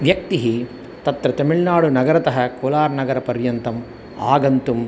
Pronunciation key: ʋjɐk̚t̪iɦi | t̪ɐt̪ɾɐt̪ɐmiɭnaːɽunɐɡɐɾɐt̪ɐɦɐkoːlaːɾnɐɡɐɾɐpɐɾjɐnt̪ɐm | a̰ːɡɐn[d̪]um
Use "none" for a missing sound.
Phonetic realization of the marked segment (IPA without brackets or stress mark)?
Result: t̪